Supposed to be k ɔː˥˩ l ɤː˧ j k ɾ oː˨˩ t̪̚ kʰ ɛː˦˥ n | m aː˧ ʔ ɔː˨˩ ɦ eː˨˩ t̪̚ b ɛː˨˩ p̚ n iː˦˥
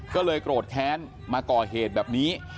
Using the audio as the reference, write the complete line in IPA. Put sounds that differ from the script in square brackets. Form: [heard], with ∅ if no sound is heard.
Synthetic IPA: k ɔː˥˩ l ɤː˧ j k ɾ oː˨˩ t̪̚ kʰ ɛː˦˥ n | m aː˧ [k] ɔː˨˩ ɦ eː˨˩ t̪̚ b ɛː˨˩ p̚ n iː˦˥